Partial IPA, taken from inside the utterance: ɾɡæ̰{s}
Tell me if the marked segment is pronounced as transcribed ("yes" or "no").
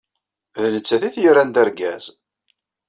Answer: no